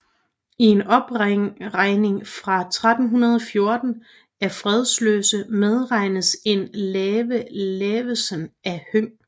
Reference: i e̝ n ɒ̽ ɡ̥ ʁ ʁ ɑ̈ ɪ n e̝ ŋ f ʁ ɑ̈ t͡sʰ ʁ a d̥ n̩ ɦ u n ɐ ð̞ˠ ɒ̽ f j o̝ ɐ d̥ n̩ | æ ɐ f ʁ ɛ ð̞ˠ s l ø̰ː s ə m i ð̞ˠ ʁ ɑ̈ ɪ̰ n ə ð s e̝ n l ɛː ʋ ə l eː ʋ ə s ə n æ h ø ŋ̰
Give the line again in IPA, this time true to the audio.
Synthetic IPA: i e̝ n ɒ̽ b̥ ʁ ʁ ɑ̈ ɪ n e̝ ŋ f ʁ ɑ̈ t͡sʰ ʁ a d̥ n̩ ɦ u n ɐ ð̞ˠ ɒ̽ f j o̝ ɐ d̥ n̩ | æ ɐ f ʁ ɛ ð̞ˠ s l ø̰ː s ə m e ð̞ˠ ʁ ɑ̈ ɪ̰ n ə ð s e̝ n l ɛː ʋ ə l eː ʋ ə s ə n æ h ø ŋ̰